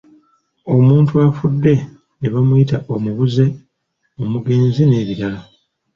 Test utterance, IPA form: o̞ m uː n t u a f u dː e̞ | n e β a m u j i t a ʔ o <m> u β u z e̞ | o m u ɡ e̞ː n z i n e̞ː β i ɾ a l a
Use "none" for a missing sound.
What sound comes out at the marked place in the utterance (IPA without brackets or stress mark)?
m